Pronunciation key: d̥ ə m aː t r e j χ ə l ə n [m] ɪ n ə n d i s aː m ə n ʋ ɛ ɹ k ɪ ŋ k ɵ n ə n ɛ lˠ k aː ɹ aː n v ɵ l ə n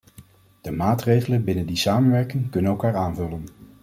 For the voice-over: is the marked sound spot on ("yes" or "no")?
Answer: no